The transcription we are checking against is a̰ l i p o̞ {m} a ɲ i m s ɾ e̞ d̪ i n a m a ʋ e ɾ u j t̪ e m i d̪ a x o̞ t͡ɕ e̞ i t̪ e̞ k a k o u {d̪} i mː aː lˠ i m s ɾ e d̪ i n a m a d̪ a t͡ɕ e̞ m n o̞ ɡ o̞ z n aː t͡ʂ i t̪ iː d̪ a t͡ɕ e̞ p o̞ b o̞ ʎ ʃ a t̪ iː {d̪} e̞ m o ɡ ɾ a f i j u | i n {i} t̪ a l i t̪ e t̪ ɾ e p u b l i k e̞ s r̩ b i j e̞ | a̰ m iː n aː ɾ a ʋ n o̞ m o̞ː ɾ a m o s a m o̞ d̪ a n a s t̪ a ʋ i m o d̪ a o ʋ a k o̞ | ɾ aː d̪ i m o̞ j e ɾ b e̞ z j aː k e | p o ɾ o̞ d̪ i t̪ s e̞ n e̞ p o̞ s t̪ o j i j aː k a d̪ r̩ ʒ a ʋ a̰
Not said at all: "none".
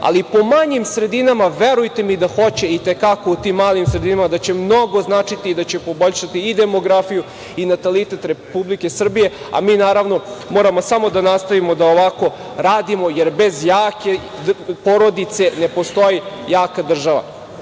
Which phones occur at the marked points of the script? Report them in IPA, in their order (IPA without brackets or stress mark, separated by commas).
m, t̪, d̪, a